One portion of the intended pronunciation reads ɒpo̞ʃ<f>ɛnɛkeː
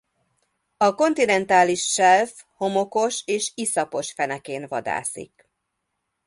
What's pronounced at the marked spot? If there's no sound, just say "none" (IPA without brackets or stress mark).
f